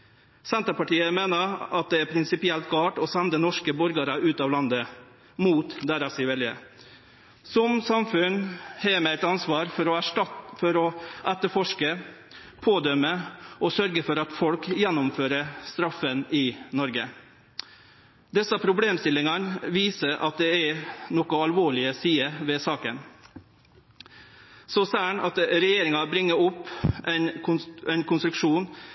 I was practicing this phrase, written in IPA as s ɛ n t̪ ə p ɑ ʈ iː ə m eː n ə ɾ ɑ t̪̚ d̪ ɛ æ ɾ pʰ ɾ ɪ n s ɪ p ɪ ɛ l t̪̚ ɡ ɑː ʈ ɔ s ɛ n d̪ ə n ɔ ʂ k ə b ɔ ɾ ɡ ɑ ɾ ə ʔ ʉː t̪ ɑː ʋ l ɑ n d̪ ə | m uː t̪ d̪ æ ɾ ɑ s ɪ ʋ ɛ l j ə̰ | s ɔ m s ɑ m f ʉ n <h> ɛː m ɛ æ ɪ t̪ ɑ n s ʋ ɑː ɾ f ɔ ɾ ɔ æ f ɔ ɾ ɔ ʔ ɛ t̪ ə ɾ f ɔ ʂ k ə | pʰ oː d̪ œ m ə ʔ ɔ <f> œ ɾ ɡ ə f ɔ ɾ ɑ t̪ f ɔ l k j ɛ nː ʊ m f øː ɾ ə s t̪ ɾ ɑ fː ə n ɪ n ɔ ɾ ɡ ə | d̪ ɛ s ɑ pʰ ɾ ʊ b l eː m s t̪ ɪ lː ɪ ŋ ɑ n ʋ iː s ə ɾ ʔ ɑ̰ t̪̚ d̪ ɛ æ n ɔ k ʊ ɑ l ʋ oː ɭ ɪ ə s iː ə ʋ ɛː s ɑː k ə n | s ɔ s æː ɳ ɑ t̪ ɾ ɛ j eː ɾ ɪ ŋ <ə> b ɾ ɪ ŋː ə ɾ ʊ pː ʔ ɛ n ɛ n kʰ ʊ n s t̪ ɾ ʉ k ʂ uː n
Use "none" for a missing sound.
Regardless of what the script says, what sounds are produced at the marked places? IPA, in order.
h, s, ɑ

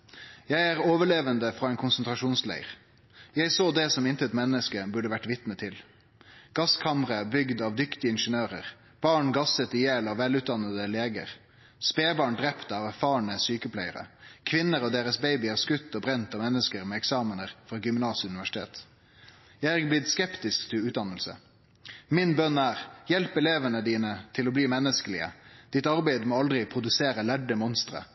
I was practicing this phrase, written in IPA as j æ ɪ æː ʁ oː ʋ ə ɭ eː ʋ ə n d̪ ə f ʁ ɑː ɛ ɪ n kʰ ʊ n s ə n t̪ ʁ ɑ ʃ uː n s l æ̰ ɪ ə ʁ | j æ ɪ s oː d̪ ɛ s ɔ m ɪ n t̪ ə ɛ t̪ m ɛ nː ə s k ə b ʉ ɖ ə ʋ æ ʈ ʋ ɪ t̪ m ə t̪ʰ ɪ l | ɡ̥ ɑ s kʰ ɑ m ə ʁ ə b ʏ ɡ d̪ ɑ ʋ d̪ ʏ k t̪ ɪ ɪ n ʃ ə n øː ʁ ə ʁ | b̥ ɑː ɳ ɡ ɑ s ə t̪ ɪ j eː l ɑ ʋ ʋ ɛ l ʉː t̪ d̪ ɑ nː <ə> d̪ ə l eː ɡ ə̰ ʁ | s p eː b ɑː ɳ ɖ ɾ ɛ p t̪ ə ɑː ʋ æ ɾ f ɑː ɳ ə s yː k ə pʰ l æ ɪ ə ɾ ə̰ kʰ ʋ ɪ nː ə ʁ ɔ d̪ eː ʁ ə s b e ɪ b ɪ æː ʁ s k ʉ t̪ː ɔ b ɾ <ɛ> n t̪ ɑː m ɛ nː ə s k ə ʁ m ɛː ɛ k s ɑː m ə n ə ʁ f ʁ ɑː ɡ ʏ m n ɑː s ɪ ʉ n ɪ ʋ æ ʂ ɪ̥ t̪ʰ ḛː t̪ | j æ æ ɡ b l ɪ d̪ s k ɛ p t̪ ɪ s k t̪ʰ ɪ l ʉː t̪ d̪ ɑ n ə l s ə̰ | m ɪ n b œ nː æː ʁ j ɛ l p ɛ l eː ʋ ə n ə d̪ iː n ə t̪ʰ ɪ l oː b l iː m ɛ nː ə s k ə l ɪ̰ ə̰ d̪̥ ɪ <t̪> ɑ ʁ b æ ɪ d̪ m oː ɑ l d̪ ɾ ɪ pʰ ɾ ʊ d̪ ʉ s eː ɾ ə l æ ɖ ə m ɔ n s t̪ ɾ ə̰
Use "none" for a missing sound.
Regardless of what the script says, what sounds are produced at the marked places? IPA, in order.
ə, ɛ, t̪

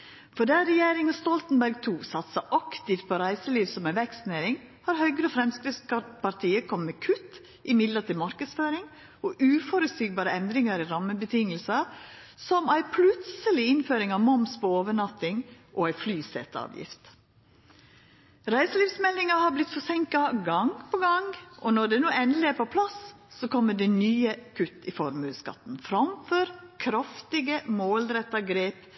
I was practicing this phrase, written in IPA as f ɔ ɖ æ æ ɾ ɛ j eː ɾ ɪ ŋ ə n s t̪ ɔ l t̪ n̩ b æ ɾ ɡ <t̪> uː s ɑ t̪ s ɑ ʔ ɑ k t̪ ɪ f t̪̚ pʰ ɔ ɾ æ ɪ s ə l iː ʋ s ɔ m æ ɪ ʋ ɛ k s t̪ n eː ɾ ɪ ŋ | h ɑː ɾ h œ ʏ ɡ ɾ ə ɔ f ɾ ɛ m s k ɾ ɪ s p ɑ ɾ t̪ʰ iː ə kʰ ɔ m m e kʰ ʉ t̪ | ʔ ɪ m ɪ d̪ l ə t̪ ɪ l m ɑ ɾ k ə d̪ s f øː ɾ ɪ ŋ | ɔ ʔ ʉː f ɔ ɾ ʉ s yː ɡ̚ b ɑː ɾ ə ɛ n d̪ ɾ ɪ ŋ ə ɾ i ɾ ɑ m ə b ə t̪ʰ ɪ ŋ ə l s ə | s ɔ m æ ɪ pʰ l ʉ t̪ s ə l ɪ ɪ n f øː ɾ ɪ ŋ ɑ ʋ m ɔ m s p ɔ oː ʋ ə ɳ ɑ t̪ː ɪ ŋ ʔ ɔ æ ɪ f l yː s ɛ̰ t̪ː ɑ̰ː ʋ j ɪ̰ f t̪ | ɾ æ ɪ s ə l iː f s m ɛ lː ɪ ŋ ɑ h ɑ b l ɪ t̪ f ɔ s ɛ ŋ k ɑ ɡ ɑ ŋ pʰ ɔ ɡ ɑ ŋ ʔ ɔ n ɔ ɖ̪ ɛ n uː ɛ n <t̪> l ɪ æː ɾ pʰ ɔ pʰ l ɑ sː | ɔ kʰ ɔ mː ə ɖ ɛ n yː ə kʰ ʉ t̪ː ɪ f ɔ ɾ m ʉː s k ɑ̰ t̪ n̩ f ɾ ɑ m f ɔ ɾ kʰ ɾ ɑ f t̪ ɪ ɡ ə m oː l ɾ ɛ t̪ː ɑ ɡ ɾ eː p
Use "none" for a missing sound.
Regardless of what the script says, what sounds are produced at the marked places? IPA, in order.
t̪ʰ, d̪

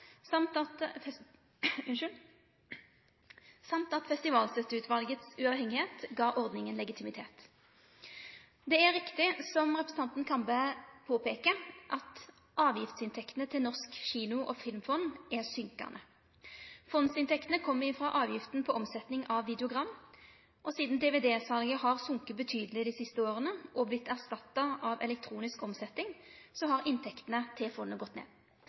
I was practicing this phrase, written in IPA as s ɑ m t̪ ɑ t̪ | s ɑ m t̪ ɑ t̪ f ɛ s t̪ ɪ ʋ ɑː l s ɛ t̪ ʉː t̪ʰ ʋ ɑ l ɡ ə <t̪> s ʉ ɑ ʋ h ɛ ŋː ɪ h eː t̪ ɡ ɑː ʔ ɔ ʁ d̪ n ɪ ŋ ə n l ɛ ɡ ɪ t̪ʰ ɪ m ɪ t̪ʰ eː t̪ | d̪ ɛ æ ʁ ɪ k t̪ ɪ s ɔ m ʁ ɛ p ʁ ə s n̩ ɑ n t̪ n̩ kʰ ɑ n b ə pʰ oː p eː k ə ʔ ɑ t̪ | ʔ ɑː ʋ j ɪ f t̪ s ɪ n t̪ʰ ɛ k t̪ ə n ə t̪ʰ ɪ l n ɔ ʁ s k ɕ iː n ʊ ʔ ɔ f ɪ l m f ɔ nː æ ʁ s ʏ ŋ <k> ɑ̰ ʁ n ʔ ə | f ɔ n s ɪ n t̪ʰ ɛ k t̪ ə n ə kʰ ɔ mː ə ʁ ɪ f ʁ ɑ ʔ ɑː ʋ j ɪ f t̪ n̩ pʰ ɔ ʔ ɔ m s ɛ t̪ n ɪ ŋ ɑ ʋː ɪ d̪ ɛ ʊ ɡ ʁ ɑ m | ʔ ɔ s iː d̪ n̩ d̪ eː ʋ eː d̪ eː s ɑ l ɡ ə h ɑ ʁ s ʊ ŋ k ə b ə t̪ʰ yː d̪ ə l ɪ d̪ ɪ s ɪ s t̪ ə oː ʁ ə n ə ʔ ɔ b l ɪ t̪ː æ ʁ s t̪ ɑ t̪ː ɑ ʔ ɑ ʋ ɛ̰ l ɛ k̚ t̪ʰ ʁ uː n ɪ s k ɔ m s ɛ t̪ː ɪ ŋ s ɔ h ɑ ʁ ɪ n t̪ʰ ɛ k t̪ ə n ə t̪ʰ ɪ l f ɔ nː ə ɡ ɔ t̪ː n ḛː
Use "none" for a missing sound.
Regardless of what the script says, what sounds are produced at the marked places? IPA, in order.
t̪, k

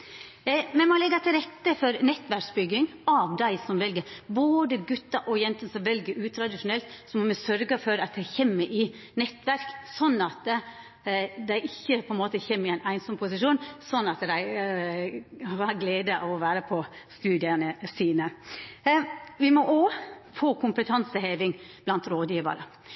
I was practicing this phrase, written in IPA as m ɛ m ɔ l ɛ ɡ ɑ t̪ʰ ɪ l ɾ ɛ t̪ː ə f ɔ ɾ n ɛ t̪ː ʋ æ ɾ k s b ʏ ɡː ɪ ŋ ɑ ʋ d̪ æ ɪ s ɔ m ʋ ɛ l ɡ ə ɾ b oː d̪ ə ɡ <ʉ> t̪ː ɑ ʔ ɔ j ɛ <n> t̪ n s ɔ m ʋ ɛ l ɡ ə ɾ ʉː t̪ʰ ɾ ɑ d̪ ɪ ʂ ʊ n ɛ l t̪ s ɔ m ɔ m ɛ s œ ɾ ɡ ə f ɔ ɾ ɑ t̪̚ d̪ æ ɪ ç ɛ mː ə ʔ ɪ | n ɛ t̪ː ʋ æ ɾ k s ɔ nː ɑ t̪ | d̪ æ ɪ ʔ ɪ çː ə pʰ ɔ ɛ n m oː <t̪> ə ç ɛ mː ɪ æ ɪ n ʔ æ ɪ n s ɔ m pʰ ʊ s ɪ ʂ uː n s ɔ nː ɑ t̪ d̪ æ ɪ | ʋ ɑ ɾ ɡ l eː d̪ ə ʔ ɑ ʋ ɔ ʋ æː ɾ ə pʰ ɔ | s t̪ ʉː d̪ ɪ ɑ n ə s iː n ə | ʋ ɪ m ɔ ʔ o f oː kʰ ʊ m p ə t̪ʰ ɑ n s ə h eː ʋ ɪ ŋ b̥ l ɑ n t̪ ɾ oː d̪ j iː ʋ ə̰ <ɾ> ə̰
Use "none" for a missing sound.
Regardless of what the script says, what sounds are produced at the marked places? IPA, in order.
ʉ, n, t̪, ɾ

